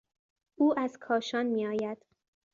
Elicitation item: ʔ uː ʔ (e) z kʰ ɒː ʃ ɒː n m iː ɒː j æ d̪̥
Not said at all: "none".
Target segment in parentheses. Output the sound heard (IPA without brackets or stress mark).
æ